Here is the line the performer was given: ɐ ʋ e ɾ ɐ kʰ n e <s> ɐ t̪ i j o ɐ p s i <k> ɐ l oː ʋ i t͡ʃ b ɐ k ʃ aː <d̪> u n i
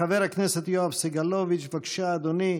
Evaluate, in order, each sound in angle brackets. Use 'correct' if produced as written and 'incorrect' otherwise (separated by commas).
correct, incorrect, correct